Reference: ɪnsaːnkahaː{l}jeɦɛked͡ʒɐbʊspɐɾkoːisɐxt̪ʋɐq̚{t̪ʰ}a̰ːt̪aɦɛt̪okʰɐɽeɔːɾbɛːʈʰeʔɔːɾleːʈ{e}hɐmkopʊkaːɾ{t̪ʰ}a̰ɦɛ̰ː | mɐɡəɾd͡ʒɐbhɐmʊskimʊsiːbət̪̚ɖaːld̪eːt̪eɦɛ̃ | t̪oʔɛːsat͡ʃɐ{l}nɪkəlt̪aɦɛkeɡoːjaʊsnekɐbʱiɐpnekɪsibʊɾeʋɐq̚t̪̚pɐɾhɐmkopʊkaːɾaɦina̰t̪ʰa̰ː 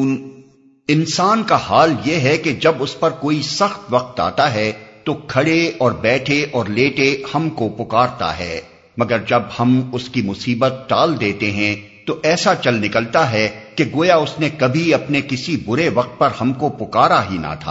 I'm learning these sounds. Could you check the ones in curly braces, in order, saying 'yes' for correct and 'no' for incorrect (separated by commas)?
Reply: yes, no, yes, no, yes